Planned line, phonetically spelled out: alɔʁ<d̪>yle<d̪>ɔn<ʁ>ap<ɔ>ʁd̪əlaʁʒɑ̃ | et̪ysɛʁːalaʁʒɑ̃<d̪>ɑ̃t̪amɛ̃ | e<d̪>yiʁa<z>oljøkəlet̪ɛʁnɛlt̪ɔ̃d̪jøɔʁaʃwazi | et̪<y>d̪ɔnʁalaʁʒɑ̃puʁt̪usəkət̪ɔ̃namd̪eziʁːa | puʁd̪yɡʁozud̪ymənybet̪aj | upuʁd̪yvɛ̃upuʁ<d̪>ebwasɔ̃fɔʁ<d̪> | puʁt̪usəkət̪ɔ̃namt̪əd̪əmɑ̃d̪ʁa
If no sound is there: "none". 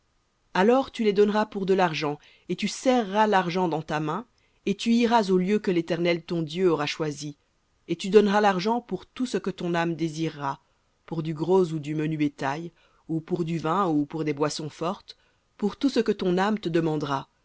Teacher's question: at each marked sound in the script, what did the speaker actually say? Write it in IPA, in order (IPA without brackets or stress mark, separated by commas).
t̪, d̪, ʁ, u, d̪, t̪, z, y, d̪, t̪